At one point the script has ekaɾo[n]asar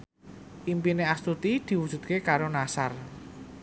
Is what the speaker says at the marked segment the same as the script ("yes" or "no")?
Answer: yes